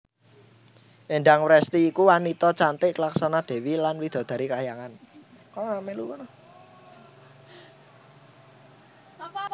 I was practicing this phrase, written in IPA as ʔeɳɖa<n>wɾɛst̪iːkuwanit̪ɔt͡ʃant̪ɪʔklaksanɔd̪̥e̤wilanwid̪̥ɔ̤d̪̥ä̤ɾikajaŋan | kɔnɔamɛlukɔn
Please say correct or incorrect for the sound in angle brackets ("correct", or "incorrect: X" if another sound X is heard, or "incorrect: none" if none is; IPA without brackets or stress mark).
incorrect: ŋ